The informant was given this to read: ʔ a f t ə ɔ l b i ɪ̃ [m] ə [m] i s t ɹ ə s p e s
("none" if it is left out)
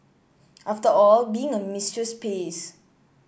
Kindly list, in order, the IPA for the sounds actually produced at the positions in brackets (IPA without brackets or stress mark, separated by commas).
ŋ, m